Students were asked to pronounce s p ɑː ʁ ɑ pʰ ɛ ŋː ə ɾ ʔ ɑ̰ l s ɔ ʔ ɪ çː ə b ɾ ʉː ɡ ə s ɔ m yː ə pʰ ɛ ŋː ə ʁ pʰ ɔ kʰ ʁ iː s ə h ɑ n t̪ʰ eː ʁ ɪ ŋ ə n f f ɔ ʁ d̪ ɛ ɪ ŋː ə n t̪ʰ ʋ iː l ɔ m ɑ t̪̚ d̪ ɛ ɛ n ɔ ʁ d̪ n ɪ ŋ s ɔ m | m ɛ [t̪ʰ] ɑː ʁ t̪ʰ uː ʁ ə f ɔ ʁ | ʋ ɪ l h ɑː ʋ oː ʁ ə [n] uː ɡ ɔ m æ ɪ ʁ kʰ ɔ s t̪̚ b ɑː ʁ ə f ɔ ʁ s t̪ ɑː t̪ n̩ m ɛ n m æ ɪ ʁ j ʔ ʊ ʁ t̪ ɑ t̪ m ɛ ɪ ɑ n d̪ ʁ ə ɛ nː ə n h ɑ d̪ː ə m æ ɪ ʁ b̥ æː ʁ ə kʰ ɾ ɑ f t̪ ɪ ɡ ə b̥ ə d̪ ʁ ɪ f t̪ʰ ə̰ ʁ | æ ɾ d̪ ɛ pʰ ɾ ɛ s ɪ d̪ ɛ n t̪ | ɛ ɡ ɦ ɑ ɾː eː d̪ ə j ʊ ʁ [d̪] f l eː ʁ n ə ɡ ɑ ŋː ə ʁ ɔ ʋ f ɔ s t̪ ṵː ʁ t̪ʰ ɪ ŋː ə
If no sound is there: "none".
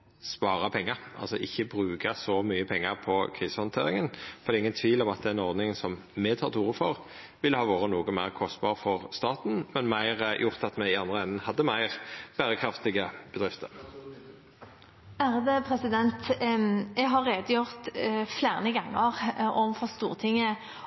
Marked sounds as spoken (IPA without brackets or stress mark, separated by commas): t̪ʰ, n, t̪